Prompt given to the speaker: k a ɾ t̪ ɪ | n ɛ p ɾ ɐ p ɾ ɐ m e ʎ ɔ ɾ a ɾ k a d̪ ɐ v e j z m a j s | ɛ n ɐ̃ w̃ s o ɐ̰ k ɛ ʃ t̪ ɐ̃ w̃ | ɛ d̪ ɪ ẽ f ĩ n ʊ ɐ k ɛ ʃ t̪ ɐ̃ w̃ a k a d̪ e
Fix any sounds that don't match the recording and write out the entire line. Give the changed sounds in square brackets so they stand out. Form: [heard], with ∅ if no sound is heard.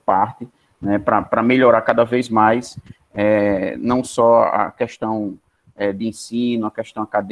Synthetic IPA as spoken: [p] a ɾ t̪ ɪ | n ɛ p ɾ ɐ p ɾ ɐ m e ʎ ɔ ɾ a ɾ k a d̪ ɐ v e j z m a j s | ɛ n ɐ̃ w̃ s [ɔ] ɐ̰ k ɛ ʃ t̪ ɐ̃ w̃ | ɛ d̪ ɪ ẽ [s] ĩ n ʊ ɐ k ɛ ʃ t̪ ɐ̃ w̃ a k a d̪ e